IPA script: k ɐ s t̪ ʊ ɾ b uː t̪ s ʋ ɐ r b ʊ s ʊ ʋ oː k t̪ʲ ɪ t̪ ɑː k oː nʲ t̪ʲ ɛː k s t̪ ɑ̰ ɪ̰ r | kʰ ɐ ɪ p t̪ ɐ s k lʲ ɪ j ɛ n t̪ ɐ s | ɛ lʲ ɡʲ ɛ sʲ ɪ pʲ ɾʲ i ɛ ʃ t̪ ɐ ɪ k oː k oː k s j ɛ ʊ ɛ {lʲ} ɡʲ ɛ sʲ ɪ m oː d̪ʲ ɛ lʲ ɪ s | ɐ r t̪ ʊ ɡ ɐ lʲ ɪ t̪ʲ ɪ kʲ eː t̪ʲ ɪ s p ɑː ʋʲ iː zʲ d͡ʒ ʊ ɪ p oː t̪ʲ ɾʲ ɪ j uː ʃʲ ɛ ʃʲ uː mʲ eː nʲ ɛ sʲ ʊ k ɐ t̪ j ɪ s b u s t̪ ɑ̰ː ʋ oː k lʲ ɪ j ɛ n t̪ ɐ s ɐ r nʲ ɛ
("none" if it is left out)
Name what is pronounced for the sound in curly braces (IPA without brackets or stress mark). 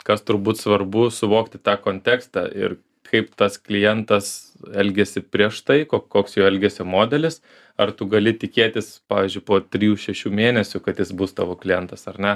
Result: lʲ